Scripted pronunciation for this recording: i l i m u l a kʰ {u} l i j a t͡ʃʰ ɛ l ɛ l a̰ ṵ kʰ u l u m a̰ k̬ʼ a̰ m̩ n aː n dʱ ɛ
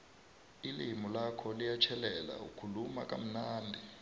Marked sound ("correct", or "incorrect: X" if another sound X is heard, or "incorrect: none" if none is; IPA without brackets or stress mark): incorrect: ɔ